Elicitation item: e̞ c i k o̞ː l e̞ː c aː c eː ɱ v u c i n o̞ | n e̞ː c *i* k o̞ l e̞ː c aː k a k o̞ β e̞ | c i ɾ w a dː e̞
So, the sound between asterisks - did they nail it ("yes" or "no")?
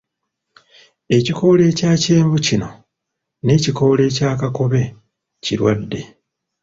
yes